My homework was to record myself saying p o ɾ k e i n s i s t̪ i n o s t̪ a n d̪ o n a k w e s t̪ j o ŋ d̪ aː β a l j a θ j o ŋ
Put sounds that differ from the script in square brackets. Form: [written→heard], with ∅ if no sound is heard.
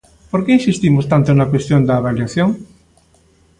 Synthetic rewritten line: p o ɾ k e i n s i s t̪ i [n→m] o s t̪ a n [d̪→t̪] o n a k w e s t̪ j o [ŋ→n] d̪ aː β a l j a θ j o ŋ